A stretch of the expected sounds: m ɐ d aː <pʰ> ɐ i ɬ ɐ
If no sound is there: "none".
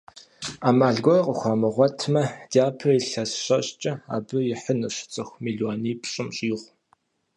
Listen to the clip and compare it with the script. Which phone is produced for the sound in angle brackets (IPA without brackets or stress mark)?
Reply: pʰ